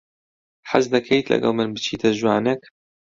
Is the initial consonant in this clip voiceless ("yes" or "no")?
yes